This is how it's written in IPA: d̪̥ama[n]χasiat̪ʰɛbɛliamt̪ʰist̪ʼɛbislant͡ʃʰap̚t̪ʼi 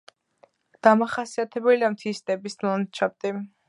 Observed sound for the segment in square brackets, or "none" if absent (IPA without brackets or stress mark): none